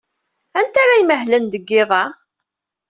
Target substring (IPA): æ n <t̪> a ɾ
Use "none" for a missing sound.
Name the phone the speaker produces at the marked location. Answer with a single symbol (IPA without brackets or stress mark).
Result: t̪